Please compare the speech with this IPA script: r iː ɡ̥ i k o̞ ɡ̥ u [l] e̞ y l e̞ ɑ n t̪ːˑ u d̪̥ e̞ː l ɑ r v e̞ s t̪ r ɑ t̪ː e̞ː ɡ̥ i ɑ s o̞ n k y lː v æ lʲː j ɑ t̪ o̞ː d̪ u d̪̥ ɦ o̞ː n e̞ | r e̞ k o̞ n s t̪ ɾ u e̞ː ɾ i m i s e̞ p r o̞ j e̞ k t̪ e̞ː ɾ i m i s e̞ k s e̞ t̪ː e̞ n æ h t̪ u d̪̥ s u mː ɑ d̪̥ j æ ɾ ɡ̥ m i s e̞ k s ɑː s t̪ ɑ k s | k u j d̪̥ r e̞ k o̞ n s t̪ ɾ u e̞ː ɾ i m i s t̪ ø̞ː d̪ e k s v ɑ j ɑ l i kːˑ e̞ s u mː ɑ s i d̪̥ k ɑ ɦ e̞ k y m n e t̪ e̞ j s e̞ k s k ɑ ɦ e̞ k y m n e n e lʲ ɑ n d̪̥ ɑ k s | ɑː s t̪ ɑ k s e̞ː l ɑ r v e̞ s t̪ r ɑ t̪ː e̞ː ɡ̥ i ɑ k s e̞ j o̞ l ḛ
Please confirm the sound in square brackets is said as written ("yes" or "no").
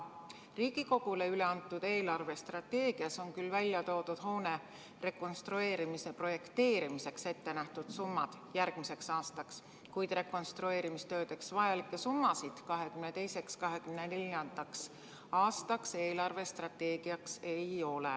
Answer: yes